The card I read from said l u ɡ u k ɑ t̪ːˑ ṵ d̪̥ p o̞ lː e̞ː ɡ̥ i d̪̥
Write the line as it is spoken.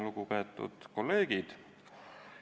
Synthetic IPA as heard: l u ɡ u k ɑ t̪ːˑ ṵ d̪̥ k o̞ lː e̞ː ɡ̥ i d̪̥